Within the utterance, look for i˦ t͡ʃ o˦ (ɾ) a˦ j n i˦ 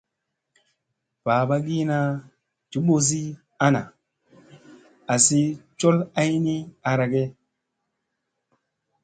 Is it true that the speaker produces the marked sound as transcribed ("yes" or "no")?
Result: no